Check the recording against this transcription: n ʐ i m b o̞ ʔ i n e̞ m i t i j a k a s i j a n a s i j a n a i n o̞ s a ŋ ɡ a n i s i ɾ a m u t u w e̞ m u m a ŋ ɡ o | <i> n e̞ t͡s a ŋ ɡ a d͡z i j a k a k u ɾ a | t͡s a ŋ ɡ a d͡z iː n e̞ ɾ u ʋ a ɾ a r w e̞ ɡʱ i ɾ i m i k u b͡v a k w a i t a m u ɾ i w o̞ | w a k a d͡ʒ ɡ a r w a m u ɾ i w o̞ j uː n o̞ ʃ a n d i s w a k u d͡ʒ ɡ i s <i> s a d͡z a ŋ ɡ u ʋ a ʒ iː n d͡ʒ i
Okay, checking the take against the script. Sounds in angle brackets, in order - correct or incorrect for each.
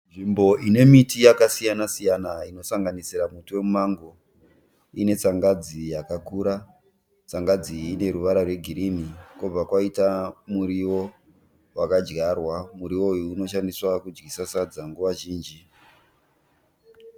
correct, incorrect

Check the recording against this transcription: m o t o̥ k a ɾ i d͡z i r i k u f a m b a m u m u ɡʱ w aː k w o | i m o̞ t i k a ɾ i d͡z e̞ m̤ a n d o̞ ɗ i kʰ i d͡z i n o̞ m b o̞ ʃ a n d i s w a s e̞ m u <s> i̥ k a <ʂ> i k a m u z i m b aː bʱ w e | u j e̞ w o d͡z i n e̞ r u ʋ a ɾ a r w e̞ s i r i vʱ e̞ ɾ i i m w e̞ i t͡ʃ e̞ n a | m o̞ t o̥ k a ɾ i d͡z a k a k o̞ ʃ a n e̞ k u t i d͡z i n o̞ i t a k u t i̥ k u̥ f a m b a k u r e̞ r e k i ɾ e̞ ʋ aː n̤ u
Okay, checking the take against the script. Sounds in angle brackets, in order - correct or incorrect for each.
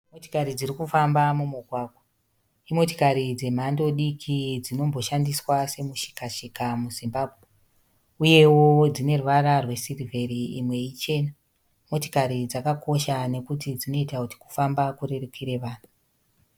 incorrect, incorrect

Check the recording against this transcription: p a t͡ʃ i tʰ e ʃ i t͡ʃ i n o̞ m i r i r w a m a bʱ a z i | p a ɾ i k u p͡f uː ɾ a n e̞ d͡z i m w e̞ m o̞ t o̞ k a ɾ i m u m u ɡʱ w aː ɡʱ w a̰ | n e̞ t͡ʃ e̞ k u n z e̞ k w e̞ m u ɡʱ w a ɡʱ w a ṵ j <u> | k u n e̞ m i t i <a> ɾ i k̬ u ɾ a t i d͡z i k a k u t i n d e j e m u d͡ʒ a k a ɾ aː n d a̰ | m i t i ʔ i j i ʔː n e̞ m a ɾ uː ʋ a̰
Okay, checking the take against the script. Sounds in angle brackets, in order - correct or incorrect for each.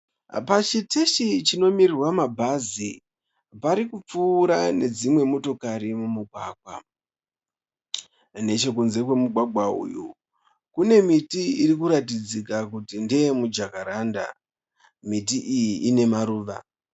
correct, incorrect

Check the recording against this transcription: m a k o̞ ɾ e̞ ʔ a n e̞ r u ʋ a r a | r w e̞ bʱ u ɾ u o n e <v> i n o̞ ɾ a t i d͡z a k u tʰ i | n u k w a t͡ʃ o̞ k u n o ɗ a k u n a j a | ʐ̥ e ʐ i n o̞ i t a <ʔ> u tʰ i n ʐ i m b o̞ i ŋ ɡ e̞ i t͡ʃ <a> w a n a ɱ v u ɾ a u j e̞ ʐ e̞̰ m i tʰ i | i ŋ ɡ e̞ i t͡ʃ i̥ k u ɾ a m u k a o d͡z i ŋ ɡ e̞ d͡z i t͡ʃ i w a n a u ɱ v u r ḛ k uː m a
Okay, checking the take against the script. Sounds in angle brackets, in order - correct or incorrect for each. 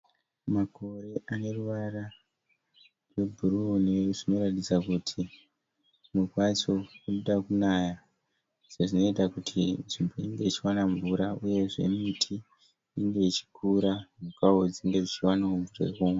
incorrect, incorrect, incorrect

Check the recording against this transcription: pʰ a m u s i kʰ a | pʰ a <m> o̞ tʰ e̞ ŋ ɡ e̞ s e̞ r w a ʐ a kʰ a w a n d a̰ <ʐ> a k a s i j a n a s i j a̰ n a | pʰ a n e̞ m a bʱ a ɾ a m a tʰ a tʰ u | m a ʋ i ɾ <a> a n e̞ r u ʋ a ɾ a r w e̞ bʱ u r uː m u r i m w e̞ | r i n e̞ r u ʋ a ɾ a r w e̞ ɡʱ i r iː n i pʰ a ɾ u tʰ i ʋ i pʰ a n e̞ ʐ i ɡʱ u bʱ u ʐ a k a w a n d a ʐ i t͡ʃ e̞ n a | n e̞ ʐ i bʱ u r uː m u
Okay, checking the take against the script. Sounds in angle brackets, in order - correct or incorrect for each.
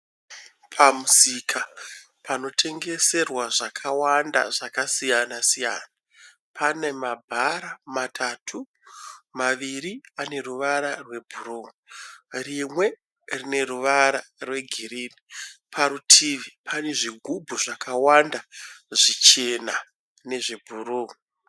incorrect, correct, incorrect

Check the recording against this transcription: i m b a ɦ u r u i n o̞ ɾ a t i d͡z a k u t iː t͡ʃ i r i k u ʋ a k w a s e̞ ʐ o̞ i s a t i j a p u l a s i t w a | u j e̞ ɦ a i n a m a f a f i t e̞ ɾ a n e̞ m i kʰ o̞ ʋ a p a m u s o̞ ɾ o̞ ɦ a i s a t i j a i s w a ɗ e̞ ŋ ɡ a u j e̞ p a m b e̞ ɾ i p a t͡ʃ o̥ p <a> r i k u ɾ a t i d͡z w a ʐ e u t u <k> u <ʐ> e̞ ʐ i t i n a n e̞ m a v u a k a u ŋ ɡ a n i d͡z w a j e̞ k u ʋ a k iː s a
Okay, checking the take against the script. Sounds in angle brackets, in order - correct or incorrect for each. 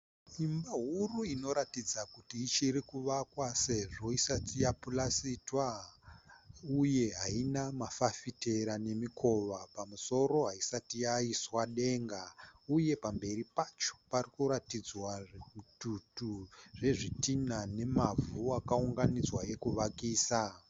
correct, incorrect, correct

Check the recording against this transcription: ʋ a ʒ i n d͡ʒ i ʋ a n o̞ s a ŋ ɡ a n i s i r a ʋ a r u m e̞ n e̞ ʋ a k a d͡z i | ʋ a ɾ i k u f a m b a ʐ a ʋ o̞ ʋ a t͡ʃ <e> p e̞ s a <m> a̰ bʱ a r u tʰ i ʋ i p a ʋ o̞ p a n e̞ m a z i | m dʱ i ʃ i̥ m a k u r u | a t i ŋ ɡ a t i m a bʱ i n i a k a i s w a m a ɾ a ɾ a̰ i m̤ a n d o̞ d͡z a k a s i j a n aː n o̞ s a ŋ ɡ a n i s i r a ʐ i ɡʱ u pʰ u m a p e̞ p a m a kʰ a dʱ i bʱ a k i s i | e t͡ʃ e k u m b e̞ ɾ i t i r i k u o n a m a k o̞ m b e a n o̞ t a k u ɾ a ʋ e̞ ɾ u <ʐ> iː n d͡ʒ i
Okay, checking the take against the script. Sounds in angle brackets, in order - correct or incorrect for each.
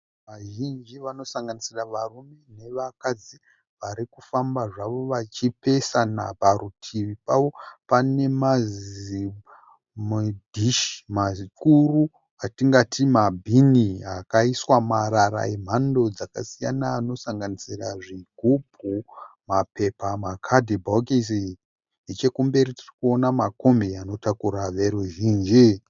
incorrect, incorrect, incorrect

